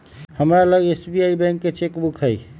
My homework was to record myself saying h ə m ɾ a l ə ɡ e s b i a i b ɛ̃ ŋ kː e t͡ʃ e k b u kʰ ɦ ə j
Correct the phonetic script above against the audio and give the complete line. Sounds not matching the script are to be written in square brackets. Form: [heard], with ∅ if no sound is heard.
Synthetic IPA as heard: h ə m ɾ a l ə ɡ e s b i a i b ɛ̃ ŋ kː e t͡ʃ e k b u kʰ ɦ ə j